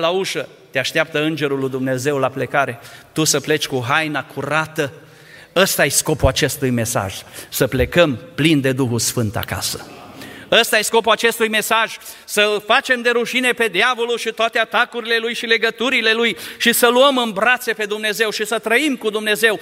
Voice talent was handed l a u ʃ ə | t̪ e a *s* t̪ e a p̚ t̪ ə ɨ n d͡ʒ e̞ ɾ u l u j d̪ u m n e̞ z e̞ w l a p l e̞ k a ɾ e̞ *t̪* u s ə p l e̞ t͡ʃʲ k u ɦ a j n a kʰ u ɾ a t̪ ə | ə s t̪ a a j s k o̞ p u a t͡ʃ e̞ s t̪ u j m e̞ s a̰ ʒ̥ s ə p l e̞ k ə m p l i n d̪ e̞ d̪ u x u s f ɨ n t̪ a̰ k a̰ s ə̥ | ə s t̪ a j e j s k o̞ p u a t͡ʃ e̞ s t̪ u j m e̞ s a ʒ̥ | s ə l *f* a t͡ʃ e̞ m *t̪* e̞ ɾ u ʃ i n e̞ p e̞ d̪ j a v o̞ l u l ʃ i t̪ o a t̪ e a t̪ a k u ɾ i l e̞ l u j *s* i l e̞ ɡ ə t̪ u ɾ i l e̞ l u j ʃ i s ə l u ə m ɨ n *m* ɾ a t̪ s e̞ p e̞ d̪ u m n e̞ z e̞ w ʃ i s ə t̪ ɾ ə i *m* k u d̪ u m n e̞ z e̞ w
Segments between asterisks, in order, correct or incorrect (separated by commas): incorrect, correct, correct, incorrect, incorrect, incorrect, correct